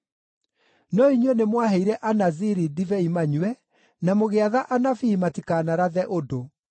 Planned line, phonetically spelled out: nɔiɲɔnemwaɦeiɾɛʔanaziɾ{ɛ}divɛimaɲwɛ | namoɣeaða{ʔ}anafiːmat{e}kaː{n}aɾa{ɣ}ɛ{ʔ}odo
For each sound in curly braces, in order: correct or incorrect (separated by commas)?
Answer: incorrect, correct, incorrect, correct, incorrect, correct